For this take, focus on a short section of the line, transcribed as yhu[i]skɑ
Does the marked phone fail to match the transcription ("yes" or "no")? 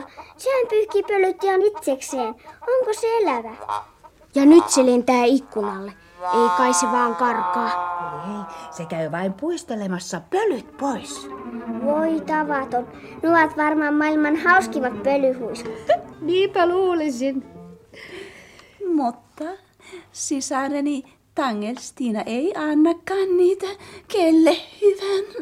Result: no